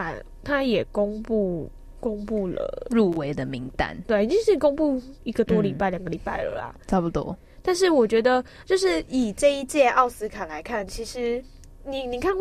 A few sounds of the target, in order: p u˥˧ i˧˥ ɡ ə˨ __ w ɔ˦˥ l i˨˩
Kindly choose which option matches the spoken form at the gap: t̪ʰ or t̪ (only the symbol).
t̪